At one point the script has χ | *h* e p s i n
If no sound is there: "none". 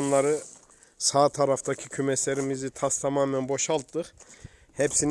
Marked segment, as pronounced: h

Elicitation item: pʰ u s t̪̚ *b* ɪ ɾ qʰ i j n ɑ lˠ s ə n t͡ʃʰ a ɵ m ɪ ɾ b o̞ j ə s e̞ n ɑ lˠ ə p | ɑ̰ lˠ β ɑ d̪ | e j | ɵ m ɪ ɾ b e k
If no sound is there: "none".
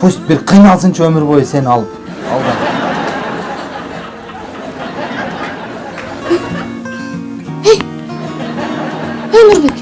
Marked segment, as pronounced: b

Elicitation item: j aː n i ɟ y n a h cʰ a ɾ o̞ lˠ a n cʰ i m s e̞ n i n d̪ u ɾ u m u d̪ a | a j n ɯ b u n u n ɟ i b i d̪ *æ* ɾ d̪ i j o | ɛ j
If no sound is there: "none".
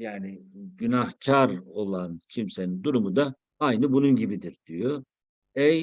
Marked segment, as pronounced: i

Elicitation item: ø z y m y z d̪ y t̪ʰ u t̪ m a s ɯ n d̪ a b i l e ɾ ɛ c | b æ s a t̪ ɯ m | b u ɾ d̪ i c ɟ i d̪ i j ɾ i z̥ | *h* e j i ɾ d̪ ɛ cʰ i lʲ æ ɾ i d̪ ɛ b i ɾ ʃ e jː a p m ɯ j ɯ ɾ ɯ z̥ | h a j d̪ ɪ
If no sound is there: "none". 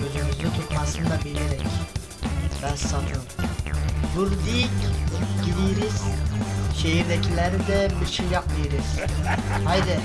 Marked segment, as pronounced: ʃ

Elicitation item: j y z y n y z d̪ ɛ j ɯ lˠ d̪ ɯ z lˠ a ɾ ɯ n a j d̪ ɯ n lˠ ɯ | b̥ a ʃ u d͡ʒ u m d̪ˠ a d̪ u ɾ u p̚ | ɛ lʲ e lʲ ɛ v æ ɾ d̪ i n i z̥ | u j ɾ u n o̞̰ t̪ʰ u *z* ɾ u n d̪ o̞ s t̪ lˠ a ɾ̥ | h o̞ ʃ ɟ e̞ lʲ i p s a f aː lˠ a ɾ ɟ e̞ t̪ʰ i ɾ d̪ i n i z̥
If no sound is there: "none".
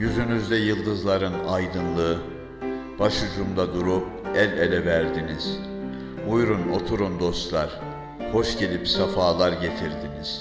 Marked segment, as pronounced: none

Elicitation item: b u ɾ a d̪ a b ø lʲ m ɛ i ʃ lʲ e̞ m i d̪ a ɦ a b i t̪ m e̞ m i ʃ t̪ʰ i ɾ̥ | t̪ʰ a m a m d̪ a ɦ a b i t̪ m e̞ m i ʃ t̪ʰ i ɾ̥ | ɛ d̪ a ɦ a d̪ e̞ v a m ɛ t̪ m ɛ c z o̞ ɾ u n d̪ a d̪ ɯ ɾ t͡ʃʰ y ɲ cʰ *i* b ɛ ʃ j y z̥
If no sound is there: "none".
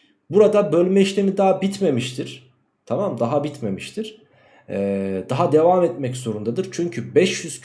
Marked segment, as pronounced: y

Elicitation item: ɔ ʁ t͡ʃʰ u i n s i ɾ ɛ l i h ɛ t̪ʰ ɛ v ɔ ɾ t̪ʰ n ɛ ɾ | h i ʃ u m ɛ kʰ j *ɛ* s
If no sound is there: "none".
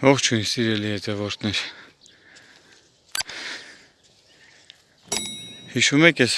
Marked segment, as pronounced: ɛ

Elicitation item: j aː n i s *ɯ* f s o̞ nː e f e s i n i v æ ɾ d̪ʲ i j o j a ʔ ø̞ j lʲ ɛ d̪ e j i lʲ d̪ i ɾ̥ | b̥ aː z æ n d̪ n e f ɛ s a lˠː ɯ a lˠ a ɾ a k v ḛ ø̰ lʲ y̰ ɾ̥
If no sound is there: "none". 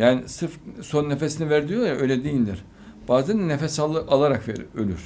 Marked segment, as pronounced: ɯ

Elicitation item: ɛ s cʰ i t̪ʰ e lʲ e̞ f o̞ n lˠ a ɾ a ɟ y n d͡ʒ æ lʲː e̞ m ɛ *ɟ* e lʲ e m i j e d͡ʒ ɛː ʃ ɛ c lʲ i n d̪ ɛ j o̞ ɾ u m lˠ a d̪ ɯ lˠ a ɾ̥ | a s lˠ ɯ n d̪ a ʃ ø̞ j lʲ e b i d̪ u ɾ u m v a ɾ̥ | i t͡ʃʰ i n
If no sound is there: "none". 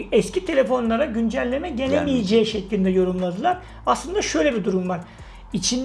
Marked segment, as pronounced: ɟ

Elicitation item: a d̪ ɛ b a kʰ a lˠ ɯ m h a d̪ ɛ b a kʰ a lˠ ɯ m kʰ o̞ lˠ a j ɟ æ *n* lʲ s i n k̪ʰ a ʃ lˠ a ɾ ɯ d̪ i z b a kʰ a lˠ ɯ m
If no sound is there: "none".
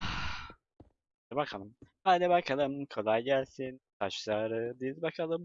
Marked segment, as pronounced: none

